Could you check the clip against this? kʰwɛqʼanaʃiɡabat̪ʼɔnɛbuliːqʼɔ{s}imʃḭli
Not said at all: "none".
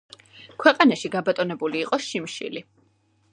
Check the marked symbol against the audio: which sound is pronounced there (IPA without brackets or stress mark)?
ʃ